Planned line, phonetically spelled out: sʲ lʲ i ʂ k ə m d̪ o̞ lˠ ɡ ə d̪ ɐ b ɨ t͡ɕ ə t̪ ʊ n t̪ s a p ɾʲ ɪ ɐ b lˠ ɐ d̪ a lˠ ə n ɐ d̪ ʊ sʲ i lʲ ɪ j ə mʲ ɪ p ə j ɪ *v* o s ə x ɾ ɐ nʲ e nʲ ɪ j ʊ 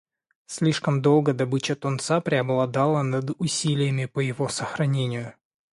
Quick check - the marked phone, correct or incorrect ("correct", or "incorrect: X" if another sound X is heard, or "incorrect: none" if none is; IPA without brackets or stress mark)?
correct